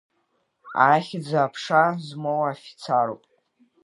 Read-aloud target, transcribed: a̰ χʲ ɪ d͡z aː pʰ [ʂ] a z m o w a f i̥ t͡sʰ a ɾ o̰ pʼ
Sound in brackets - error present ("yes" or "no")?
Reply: no